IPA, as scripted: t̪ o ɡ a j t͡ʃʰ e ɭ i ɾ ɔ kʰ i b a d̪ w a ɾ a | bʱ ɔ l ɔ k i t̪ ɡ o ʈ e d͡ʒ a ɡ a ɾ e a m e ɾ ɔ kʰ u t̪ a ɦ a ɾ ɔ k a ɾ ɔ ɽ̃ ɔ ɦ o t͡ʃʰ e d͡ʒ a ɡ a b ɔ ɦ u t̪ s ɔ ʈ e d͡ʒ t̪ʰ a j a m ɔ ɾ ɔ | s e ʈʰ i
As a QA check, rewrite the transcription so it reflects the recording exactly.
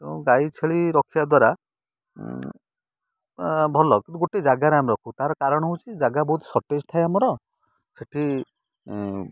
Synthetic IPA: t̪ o ɡ a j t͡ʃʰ e ɭ i ɾ ɔ kʰ i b a d̪ w a ɾ a | bʱ ɔ l ɔ k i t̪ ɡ o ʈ e d͡ʒ a ɡ a ɾ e a m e ɾ ɔ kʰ u t̪ a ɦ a ɾ ɔ k a ɾ ɔ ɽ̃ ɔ ɦ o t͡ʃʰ i d͡ʒ a ɡ a b ɔ ɦ u t̪ s ɔ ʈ e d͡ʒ t̪ʰ a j a m ɔ ɾ ɔ | s e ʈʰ i